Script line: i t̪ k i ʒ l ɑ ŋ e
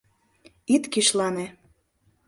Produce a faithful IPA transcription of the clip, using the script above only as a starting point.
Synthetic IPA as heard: i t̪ k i ʃ l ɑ n e